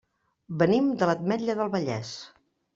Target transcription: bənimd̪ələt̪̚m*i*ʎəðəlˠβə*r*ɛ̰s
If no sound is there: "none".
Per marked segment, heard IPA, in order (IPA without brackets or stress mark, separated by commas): ɛ, ʎ